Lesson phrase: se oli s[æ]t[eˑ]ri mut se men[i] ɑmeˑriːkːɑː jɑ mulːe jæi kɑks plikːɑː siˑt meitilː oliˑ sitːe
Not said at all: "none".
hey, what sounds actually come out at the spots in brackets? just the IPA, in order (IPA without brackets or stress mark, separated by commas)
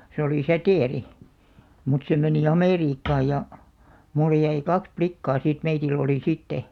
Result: æ, eˑ, i